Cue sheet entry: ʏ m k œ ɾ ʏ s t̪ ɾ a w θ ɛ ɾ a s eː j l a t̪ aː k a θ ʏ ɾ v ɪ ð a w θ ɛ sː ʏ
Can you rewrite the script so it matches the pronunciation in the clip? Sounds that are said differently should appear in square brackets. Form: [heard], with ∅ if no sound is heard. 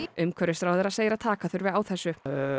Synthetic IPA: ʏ m [kʰ] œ ɾ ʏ s t̪ ɾ a w [ð] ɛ ɾ a s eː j [ɾ] a [t̪ʰ] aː k a θ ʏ ɾ v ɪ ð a w θ ɛ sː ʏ